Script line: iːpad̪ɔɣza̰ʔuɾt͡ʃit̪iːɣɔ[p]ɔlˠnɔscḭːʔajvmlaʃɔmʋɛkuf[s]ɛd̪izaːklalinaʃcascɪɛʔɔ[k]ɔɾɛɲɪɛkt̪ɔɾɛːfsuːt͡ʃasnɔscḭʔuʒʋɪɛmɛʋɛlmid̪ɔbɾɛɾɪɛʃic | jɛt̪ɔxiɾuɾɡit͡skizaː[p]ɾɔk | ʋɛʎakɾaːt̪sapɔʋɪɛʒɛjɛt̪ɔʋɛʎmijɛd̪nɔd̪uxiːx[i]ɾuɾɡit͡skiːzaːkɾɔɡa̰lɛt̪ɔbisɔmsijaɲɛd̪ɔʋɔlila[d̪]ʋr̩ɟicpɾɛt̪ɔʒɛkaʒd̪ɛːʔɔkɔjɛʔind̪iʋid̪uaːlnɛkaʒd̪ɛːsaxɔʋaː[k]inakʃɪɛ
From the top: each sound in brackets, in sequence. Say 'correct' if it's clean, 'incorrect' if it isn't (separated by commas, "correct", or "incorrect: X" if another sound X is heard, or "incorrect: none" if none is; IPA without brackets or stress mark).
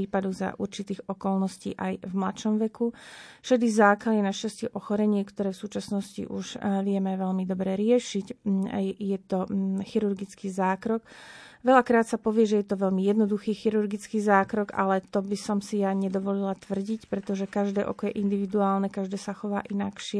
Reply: incorrect: k, incorrect: ʃ, incorrect: x, incorrect: k, correct, incorrect: t̪, incorrect: ʔ